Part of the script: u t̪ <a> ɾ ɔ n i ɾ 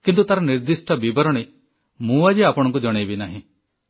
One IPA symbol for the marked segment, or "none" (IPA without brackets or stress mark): a